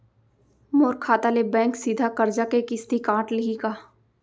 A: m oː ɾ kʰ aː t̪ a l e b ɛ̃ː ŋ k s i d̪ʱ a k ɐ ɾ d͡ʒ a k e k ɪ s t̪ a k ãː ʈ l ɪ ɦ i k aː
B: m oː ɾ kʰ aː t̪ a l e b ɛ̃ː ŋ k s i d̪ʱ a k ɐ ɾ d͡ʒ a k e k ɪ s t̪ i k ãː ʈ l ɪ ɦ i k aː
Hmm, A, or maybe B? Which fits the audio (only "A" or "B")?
B